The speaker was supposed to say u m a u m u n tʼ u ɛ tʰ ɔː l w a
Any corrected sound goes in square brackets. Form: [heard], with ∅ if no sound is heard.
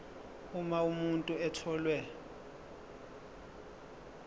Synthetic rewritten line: u m a u m u n tʼ u ɛ tʰ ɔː l w [ɛ]